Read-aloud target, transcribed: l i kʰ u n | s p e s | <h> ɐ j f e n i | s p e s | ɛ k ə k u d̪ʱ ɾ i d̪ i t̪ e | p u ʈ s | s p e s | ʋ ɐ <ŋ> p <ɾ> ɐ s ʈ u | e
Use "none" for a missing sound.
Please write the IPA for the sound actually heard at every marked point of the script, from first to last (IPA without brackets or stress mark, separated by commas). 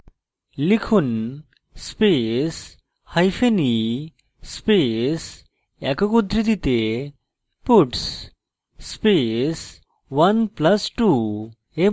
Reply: h, n, l